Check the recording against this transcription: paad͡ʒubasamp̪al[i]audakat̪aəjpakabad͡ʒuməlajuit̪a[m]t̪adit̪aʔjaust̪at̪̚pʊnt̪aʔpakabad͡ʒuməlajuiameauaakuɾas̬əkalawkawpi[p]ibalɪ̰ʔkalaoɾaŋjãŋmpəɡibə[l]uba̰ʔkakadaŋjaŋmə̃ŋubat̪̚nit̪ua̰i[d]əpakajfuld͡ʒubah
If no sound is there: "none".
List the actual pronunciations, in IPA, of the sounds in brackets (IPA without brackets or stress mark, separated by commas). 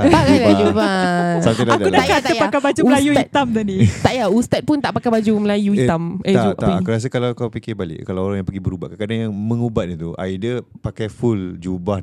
a, m, k, ɾ, d